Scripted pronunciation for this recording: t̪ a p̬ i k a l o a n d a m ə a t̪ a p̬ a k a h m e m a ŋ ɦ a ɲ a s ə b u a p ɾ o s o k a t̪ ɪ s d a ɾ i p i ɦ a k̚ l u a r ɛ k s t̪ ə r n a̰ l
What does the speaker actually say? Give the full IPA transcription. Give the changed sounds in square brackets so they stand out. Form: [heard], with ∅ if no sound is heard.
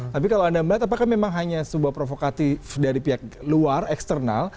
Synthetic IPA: t̪ a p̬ i k a l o a n d a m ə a t̪ a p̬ a k a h m e m a ŋ ɦ a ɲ a s ə b u a p ɾ o [f] o k a t̪ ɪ [f] d a ɾ i p i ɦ a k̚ l u a r ɛ k s t̪ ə r n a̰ l